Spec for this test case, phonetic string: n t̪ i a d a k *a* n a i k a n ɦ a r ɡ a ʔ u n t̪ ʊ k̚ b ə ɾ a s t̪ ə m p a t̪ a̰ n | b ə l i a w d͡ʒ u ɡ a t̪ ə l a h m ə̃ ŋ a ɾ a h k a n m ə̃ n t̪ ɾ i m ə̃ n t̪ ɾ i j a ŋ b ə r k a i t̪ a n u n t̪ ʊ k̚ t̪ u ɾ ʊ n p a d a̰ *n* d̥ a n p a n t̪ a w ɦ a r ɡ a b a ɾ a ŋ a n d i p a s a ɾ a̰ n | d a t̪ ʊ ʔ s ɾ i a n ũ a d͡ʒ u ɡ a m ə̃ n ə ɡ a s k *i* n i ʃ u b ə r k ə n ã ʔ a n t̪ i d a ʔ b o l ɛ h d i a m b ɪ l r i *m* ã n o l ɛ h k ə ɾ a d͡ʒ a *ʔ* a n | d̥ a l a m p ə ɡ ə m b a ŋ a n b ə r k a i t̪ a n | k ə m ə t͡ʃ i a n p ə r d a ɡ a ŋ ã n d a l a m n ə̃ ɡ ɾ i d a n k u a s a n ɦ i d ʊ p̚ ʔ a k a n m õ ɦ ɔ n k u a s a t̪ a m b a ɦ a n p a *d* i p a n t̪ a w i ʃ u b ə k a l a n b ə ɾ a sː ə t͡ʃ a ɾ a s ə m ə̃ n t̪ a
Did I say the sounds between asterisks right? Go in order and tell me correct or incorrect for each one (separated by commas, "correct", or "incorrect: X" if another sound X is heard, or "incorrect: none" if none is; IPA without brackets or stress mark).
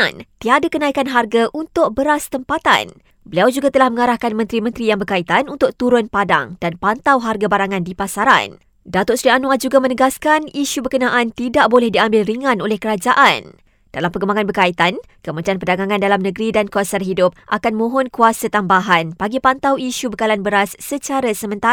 incorrect: ə, incorrect: ŋ, incorrect: a, incorrect: ŋ, correct, incorrect: ɡ